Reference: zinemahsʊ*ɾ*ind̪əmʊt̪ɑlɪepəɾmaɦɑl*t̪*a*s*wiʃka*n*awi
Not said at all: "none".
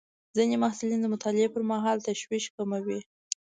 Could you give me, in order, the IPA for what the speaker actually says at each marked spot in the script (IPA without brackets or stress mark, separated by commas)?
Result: l, t̪, ʃ, m